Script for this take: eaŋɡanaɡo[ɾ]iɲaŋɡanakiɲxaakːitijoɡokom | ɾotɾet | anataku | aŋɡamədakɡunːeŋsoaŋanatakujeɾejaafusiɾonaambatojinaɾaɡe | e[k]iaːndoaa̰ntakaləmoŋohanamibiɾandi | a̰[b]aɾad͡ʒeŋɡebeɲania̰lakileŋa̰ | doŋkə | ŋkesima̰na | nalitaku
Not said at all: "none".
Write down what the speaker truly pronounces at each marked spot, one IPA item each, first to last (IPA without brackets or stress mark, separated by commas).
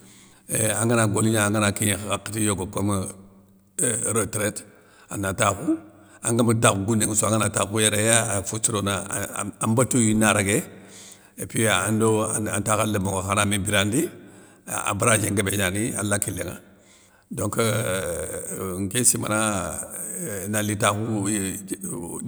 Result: l, p, b